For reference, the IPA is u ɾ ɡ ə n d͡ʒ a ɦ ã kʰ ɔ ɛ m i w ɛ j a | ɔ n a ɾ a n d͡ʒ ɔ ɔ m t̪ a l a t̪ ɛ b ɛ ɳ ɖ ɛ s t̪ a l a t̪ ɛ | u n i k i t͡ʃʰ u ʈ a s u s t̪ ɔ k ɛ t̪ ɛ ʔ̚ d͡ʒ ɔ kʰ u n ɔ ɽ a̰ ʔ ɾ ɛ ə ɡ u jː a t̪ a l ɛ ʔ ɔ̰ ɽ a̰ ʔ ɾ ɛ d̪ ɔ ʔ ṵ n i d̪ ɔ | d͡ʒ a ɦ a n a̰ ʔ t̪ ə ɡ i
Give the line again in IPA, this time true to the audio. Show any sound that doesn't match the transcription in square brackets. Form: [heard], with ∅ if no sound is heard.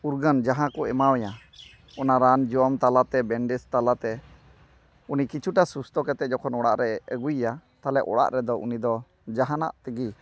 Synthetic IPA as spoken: u ɾ ɡ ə n d͡ʒ a ɦ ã [k] ɔ ɛ m [a] w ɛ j a | ɔ n a ɾ a n d͡ʒ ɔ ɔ m t̪ a l a t̪ ɛ b ɛ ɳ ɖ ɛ s t̪ a l a t̪ ɛ | u n i k i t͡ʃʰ u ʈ a s u s t̪ ɔ k ɛ t̪ ɛ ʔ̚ d͡ʒ ɔ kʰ [ɔ] n ɔ ɽ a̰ ʔ ɾ ɛ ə ɡ u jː a t̪ a l ɛ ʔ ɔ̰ ɽ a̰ ʔ ɾ ɛ d̪ ɔ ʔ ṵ n i d̪ ɔ | d͡ʒ a ɦ a n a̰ ʔ t̪ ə ɡ i